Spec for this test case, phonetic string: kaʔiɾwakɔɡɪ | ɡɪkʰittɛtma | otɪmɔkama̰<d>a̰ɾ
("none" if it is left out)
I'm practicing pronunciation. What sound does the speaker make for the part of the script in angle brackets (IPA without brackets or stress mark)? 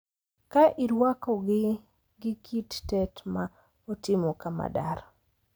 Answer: d